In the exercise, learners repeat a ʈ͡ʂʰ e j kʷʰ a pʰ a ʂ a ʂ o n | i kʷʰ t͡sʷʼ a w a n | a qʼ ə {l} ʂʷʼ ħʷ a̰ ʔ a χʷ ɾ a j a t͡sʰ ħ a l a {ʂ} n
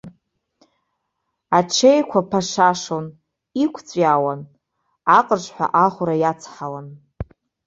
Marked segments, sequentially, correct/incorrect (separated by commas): incorrect, incorrect